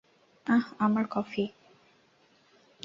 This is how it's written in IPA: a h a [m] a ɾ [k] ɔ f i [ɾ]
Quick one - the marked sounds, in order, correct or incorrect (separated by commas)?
correct, correct, incorrect